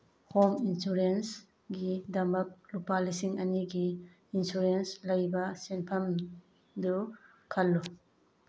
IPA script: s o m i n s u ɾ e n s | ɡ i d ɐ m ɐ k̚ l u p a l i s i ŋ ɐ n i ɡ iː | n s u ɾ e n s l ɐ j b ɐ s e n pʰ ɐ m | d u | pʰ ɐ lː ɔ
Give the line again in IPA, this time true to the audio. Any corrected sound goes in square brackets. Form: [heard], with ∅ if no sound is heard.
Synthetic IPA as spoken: [h] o m i n s u ɾ e n s | ɡ i d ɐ m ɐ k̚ l u p a l i s i ŋ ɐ n i ɡ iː | n s u ɾ e n s l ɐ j b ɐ s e n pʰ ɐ m | d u | [kʰ] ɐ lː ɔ